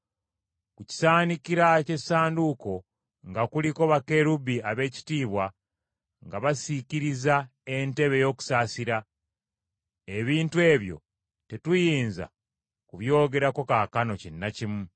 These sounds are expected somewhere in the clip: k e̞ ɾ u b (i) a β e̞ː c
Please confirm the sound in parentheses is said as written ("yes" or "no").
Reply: yes